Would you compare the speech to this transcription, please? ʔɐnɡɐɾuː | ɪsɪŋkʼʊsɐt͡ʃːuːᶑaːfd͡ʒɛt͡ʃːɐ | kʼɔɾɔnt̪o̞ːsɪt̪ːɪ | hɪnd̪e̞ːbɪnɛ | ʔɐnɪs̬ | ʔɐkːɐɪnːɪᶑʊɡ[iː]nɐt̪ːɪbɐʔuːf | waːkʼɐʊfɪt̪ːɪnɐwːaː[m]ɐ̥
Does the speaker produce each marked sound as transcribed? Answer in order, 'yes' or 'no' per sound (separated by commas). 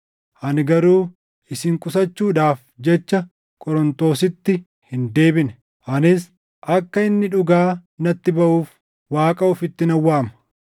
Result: no, yes